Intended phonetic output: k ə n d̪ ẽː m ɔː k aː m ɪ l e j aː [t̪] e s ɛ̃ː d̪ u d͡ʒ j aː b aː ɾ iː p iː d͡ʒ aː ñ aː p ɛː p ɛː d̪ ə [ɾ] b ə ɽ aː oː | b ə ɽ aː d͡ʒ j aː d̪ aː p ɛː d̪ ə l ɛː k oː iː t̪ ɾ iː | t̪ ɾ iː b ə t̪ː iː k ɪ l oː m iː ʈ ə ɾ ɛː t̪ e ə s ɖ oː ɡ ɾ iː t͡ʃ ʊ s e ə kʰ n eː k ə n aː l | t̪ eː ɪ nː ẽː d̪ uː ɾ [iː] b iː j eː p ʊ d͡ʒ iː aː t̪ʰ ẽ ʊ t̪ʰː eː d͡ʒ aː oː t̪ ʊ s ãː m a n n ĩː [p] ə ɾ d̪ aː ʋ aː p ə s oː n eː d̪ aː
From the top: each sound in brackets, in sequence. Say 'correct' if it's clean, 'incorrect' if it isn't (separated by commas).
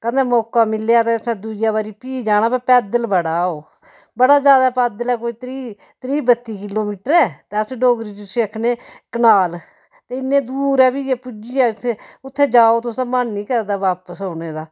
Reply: correct, incorrect, incorrect, incorrect